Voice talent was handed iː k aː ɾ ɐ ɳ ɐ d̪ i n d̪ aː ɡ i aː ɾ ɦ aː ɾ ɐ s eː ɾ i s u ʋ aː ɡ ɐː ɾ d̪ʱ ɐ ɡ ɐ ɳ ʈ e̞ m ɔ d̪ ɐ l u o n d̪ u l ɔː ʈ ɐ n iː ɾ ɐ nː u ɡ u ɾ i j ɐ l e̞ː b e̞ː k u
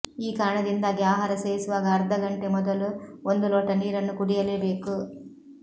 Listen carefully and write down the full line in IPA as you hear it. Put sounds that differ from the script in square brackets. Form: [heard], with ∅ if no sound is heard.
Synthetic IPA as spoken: iː k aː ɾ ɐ ɳ ɐ d̪ i n d̪ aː ɡ i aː [∅] ɦ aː ɾ ɐ s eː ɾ i s u ʋ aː ɡ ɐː ɾ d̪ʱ ɐ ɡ ɐ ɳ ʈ e̞ m ɔ d̪ ɐ l u o n d̪ u l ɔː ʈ ɐ n iː ɾ ɐ nː u [k] u [ɽ] i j ɐ l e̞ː b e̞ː k u